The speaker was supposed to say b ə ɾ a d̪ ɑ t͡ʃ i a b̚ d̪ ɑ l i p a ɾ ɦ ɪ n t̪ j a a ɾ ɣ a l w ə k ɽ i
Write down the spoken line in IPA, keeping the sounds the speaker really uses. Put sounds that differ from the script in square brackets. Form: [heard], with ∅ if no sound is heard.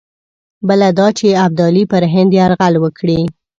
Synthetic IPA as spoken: b ə [l] a d̪ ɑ t͡ʃ [e] a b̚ d̪ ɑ l i p [ə] ɾ ɦ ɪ n [d̪] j [e] a ɾ ɣ a l w ə k ɽ i